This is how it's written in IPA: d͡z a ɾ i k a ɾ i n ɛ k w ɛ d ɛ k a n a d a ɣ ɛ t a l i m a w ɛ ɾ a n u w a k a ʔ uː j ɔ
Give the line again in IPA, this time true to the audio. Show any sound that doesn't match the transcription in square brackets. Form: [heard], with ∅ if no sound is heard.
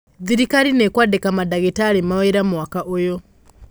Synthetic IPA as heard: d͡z [i] ɾ i k a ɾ i n ɛ k w [a] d ɛ k a [m] a d a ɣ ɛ t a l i m a w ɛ ɾ a [m] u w a k a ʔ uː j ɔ